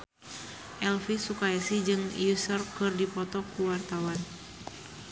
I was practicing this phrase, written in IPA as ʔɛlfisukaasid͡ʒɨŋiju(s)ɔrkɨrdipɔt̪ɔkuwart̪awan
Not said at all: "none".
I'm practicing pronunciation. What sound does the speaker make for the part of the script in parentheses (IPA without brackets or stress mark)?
s